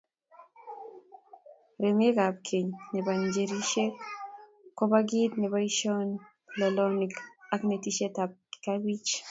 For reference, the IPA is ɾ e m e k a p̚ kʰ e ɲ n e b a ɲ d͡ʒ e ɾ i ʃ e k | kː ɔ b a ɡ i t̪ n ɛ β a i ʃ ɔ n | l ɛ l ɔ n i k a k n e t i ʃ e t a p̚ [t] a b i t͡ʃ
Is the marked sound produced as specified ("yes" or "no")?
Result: no